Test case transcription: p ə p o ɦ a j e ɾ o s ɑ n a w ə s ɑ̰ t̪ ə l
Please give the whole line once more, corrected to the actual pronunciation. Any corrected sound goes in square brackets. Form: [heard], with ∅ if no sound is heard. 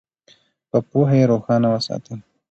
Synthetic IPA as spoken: p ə p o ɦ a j e ɾ o [x] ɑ n a w ə s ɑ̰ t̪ ə l